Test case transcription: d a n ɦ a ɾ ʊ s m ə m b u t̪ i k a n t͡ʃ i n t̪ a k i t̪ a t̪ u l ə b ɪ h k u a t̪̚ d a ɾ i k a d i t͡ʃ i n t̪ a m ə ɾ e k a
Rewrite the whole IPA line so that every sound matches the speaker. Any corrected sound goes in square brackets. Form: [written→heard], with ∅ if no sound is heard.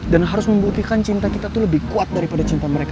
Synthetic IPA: d a n ɦ a ɾ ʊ s m ə m b u t̪ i k a n t͡ʃ i n t̪ a k i t̪ a t̪ u l ə b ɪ h k u a t̪̚ d a ɾ i [k→p] a d [i→a] t͡ʃ i n t̪ a m ə ɾ e k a